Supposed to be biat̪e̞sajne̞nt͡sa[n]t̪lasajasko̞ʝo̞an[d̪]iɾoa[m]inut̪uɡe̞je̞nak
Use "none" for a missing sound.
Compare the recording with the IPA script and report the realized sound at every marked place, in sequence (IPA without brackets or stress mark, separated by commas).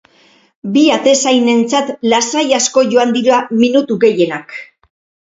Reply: none, d̪, m